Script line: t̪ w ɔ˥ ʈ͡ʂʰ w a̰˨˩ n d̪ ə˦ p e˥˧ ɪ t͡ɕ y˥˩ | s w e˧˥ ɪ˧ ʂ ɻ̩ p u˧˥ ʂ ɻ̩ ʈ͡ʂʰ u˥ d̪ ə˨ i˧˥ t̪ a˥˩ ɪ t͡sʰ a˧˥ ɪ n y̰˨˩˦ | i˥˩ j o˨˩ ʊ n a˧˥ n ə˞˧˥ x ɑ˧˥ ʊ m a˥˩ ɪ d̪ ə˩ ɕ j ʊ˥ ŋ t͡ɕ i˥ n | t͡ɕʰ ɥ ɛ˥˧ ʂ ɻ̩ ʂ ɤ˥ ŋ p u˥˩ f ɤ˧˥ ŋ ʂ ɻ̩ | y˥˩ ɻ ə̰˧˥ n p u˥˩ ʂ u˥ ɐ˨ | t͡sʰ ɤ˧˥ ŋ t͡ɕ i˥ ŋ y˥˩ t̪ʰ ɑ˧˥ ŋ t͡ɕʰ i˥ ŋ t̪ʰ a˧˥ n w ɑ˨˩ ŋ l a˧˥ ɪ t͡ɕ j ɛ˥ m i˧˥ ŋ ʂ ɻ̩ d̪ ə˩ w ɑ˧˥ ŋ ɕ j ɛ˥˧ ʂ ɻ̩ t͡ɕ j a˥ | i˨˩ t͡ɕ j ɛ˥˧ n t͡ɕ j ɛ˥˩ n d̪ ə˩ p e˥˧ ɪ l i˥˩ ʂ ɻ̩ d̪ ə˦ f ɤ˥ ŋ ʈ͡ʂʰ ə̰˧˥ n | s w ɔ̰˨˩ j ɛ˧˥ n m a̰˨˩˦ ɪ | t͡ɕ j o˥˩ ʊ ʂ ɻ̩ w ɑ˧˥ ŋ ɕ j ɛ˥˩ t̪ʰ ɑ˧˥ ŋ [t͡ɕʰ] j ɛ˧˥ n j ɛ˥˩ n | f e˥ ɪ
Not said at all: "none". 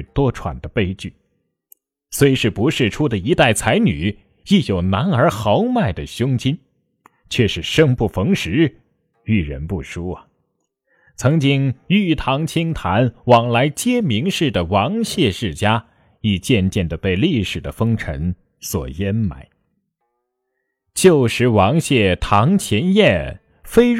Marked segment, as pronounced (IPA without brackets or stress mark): t͡ɕʰ